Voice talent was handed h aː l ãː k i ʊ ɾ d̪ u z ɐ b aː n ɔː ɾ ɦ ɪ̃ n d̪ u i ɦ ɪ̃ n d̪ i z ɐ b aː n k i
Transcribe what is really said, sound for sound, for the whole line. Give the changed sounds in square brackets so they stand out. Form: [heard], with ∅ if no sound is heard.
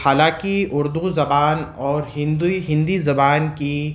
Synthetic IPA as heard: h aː l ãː k i ʊ ɾ d̪ u z ɐ b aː n ɔː ɾ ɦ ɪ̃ n d̪ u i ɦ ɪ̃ n d̪ i z ɐ b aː n k i

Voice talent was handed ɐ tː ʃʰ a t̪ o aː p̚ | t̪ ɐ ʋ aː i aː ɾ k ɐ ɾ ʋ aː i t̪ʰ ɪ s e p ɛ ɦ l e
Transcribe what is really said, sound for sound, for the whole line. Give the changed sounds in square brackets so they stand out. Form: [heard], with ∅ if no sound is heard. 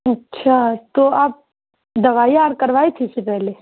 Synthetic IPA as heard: ɐ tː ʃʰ a t̪ o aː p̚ | [d̪] ɐ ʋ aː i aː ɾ k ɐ ɾ ʋ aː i t̪ʰ [i] s e p ɛ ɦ l e

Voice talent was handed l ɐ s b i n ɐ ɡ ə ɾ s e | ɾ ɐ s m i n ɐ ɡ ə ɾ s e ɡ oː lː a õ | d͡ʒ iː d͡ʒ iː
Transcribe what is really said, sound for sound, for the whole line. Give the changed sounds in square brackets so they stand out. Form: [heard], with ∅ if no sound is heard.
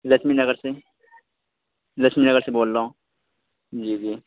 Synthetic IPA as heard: l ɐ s [m] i n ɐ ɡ ə ɾ s e | [l] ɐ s m i n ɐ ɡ ə ɾ s e [b] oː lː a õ | d͡ʒ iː d͡ʒ iː

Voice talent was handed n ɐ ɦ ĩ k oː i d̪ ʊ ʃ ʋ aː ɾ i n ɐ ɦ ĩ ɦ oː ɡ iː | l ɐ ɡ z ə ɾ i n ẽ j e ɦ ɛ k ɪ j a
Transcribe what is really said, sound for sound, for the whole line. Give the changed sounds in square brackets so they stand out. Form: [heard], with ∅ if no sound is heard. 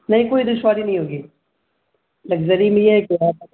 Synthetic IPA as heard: n ɐ ɦ ĩ k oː i d̪ ʊ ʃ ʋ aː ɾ i n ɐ ɦ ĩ ɦ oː ɡ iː | l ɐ ɡ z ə ɾ i [m] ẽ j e ɦ ɛ k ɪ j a

